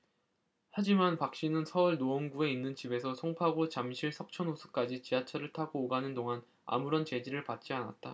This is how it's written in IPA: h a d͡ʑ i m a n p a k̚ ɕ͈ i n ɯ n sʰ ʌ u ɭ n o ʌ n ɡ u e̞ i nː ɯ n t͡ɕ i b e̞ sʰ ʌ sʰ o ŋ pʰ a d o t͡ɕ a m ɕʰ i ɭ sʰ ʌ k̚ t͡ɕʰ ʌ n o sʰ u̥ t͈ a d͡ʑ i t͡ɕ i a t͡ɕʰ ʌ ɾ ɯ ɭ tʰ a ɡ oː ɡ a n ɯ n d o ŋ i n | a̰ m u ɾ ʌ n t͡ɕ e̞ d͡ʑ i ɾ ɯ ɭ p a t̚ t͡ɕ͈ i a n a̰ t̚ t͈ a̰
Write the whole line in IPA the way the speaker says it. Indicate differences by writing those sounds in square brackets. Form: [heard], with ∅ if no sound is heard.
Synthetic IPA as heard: h a d͡ʑ i m a n p a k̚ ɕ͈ i n ɯ n sʰ ʌ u ɭ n o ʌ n ɡ u e̞ i nː ɯ n t͡ɕ i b e̞ sʰ ʌ sʰ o ŋ pʰ a [ɡ] o t͡ɕ a m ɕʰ i ɭ sʰ ʌ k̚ t͡ɕʰ ʌ n o sʰ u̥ [k͈] a d͡ʑ i t͡ɕ i a t͡ɕʰ ʌ ɾ ɯ ɭ tʰ a ɡ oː ɡ a n ɯ n d o ŋ [a] n | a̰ m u ɾ ʌ n t͡ɕ e̞ d͡ʑ i ɾ ɯ ɭ p a t̚ t͡ɕ͈ i a n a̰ t̚ t͈ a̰